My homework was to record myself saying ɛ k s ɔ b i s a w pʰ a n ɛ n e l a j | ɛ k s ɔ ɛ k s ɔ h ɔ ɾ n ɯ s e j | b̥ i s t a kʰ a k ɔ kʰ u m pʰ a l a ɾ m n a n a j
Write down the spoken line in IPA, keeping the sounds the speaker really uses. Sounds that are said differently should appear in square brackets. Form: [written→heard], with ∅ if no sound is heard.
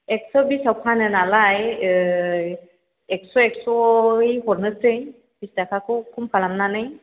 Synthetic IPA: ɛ k s ɔ b i s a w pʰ a n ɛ n [e→a] l a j | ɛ k s ɔ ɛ k s ɔ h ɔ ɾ n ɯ s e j | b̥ i s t a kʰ a k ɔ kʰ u m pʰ a l a [ɾ→∅] m n a n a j